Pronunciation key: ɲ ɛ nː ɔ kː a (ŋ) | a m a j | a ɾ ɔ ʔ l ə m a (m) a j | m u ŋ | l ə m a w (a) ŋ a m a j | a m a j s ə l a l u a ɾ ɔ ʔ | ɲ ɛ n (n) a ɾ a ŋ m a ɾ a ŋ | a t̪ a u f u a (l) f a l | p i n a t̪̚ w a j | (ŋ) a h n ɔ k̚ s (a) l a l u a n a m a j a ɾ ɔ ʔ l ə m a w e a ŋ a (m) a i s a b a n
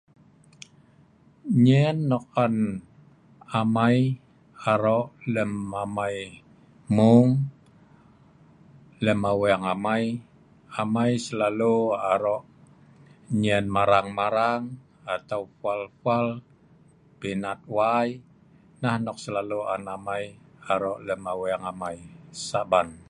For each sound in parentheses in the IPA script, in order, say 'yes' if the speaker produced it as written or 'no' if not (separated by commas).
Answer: no, yes, yes, no, yes, no, no, yes